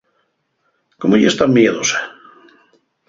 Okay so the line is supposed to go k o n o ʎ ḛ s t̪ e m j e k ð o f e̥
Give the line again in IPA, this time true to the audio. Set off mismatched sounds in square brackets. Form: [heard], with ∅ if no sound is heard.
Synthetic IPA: k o [m] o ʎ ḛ s t̪ [a] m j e [∅] ð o [s] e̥